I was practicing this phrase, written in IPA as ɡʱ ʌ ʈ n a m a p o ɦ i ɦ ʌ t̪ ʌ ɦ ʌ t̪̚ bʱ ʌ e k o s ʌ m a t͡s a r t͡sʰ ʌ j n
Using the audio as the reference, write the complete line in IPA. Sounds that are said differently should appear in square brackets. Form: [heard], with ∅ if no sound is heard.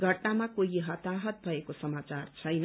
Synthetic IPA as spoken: ɡʱ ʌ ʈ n a m a [k] o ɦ i ɦ ʌ t̪ [a] ɦ ʌ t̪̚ bʱ ʌ e k o s ʌ m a t͡s a r t͡sʰ ʌ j n

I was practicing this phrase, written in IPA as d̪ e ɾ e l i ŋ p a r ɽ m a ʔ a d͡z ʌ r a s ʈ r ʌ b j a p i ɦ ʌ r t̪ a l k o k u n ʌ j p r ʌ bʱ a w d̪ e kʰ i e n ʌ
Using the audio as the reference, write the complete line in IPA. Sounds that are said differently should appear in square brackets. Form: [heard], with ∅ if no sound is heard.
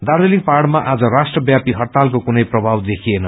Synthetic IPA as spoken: d̪ [a] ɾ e l i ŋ p a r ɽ m a ʔ a d͡z ʌ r a s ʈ r ʌ b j a p i ɦ ʌ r t̪ a l k o k u n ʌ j p r ʌ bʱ a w d̪ e kʰ i e n ʌ

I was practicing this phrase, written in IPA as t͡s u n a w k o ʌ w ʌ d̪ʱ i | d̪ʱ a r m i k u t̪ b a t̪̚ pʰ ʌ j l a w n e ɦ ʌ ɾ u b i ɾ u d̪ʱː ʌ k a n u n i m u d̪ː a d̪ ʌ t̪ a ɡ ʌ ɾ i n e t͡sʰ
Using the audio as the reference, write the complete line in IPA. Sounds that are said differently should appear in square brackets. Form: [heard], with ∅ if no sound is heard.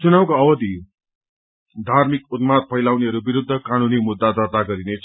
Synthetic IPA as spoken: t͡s u n a w k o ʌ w ʌ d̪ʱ i | d̪ʱ a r m i k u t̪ [m] a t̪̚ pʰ ʌ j l a w n e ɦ ʌ ɾ u b i ɾ u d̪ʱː ʌ k a n u n i m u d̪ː a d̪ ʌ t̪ a ɡ ʌ ɾ i n e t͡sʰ

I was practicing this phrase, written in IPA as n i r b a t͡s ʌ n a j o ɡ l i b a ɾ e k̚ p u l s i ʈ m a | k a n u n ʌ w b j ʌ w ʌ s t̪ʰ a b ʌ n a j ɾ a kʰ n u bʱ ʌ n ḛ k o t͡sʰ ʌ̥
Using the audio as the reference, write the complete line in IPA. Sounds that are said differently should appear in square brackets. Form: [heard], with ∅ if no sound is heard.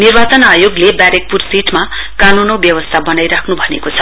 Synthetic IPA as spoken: n i r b a t͡s ʌ n a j o ɡ l [e] b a ɾ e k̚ p u [r] s i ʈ m a | k a n u n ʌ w b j ʌ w ʌ s t̪ʰ a b ʌ n a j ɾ a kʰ n u bʱ ʌ n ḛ k o t͡sʰ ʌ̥

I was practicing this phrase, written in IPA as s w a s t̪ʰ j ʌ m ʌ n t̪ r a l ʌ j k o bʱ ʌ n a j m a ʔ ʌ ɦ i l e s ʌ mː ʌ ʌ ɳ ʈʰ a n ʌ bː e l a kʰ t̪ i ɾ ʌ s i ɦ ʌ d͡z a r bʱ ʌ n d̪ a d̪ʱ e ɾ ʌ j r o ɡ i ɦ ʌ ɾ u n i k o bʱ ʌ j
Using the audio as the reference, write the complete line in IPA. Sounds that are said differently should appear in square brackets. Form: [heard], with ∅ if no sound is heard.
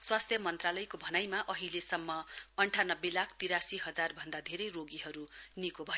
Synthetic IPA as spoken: s w a s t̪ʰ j ʌ m ʌ n t̪ r a l ʌ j k o bʱ ʌ n a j m a ʔ ʌ ɦ i l e s ʌ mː ʌ ʌ ɳ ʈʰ a n ʌ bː e l a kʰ t̪ i ɾ [a] s i ɦ ʌ d͡z a r bʱ ʌ n d̪ a d̪ʱ e ɾ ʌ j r o ɡ i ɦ ʌ ɾ u n i k o bʱ ʌ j

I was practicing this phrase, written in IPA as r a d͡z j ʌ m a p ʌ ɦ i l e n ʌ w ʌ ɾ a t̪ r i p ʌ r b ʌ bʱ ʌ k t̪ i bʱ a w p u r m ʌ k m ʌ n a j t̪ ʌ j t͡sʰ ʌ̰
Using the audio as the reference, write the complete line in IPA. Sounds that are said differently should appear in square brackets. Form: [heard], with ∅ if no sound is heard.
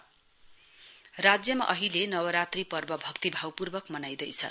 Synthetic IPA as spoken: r a d͡z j ʌ m a [ʔ] ʌ ɦ i l e n ʌ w ʌ ɾ a t̪ r i p ʌ r b ʌ bʱ ʌ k t̪ i bʱ a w p u r [b] ʌ k m ʌ n a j [d̪] ʌ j t͡sʰ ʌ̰

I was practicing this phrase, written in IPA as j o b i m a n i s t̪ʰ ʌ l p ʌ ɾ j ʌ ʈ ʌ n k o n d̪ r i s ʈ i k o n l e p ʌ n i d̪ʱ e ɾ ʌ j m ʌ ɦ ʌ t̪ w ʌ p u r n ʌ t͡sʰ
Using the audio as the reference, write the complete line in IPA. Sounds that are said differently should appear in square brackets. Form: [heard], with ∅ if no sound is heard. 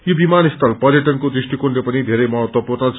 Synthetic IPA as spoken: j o b i m a n i s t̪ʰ ʌ l p ʌ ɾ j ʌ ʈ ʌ n k o [∅] d̪ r i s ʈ i k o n l e p ʌ n i d̪ʱ e ɾ ʌ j m ʌ ɦ ʌ t̪ w ʌ p u r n ʌ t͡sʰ

